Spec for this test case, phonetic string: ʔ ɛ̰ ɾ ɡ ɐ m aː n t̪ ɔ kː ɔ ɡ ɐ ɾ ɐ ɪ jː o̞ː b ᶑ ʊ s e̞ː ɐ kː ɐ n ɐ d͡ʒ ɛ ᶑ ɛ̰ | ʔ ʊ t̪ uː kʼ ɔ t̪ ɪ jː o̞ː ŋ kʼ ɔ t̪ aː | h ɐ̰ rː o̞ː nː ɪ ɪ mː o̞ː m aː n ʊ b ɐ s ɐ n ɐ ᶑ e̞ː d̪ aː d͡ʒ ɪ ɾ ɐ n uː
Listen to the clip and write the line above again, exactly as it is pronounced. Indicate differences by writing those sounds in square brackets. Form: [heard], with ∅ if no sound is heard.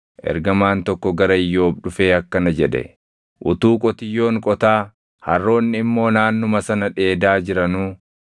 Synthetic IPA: ʔ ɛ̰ ɾ ɡ ɐ m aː n t̪ ɔ kː ɔ ɡ ɐ ɾ ɐ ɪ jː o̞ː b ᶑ ʊ [f] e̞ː ɐ kː ɐ n ɐ d͡ʒ ɛ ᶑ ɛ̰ | ʔ ʊ t̪ uː kʼ ɔ t̪ ɪ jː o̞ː ŋ kʼ ɔ t̪ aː | h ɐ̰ rː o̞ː nː ɪ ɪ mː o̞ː [n] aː [nː] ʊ [m] ɐ s ɐ n ɐ ᶑ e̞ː d̪ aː d͡ʒ ɪ ɾ ɐ n uː